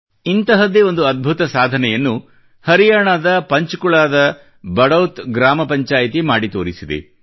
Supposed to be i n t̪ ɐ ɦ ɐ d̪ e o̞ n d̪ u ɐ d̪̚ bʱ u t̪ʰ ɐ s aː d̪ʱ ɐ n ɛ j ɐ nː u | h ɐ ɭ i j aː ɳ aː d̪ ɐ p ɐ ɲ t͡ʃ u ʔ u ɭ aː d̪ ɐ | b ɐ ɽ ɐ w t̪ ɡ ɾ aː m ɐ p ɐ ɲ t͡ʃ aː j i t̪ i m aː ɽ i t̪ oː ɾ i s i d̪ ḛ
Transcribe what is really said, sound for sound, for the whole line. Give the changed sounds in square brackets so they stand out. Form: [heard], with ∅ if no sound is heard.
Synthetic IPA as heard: i n t̪ ɐ ɦ ɐ d̪ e o̞ n d̪ u ɐ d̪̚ bʱ u [t̪] ɐ s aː d̪ʱ ɐ n ɛ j ɐ nː u | h ɐ [ɾ] i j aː ɳ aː d̪ ɐ p ɐ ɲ t͡ʃ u [k] u ɭ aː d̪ ɐ | b ɐ ɽ ɐ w t̪ ɡ ɾ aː m ɐ p ɐ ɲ t͡ʃ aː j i t̪ i m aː ɽ i t̪ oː ɾ i s i d̪ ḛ